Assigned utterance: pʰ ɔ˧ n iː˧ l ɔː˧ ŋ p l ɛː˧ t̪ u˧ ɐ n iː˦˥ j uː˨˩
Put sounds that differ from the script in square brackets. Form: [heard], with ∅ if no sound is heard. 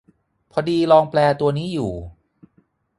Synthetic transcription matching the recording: pʰ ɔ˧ [d] iː˧ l ɔː˧ ŋ p l ɛː˧ t̪ u˧ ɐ n iː˦˥ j uː˨˩